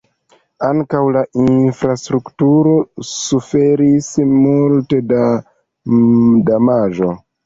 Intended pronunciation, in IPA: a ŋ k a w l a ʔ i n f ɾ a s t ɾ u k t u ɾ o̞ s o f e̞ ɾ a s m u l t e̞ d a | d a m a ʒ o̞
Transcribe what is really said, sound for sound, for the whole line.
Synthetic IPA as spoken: a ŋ k a w l a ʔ i n f ɾ a s t ɾ u k t u ɾ o̞ s u f e̞ ɾ i s m u l t e̞ d a | d a m a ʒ o̞